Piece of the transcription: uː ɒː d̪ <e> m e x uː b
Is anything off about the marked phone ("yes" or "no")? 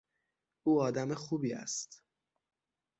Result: yes